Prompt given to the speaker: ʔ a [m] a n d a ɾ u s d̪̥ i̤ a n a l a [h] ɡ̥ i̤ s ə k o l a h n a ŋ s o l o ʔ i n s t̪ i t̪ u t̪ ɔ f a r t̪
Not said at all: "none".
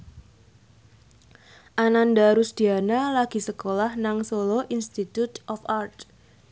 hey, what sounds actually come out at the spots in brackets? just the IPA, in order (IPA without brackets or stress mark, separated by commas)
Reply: n, none